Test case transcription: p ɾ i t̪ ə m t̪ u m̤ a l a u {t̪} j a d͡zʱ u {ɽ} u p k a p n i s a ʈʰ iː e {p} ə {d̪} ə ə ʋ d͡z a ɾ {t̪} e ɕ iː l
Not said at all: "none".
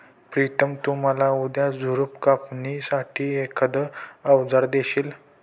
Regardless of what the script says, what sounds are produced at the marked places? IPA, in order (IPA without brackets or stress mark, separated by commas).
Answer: d̪, ɾ, k, d̪, d̪